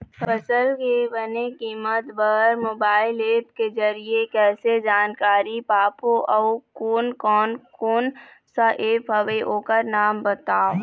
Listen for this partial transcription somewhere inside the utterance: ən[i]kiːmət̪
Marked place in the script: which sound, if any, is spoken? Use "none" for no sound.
e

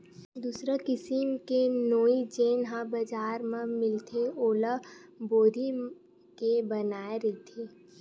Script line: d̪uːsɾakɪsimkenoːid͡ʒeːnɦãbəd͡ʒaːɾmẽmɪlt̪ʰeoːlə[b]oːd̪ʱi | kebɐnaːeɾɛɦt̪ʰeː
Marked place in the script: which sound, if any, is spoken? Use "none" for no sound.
b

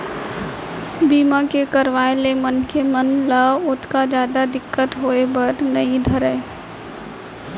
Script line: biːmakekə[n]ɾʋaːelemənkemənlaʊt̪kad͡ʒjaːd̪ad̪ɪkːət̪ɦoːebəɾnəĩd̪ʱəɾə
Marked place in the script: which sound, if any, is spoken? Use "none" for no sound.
none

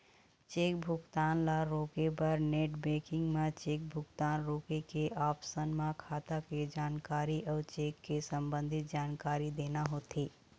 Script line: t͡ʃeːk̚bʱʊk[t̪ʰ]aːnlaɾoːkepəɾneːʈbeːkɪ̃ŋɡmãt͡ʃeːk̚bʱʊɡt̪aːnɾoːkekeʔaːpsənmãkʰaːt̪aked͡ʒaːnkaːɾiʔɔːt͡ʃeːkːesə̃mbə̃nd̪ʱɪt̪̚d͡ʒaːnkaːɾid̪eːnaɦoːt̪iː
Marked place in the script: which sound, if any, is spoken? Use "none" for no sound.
t̪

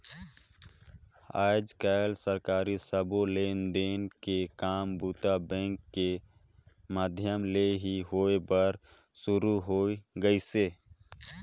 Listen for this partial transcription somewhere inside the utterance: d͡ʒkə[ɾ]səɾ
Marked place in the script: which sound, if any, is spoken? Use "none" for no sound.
l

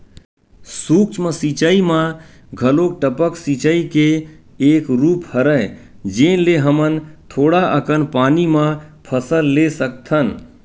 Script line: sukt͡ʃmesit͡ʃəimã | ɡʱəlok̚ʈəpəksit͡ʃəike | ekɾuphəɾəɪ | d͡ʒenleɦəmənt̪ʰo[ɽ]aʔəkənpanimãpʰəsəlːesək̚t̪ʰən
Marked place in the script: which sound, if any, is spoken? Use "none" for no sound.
ɽ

